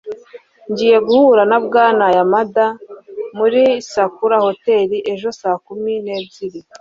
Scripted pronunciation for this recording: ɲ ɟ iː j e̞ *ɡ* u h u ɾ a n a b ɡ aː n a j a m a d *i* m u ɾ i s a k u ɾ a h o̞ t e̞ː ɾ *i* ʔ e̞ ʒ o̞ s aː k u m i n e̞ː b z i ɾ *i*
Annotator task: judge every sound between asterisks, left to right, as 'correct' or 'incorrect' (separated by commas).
correct, incorrect, correct, correct